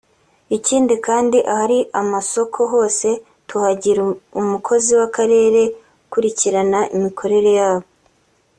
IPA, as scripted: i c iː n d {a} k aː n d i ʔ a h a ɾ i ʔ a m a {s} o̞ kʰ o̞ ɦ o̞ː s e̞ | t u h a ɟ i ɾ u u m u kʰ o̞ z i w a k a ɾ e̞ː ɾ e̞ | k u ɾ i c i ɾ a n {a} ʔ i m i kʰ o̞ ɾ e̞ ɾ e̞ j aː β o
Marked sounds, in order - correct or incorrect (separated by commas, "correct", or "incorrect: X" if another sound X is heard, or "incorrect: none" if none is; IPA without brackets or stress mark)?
incorrect: i, correct, correct